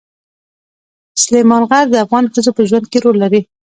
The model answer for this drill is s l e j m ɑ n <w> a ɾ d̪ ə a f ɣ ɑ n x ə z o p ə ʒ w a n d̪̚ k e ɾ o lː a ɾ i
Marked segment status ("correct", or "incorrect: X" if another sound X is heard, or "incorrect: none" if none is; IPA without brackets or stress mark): incorrect: ɣ